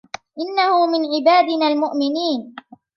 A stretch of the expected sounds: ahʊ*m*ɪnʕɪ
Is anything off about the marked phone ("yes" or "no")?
no